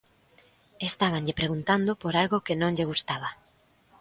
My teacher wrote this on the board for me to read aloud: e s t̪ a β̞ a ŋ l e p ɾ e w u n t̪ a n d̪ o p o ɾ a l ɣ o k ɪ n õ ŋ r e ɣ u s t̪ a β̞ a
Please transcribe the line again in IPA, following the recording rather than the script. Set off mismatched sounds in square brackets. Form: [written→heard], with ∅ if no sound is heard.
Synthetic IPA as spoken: e s t̪ a β̞ a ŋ [l→ʎ] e p ɾ e [w→ɣ] u n t̪ a n d̪ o p o ɾ a l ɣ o k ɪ n õ ŋ [r→ʎ] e ɣ u s t̪ a β̞ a